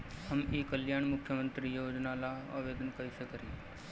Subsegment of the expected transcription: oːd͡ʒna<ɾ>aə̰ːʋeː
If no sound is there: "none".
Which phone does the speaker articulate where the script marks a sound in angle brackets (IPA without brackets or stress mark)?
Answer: l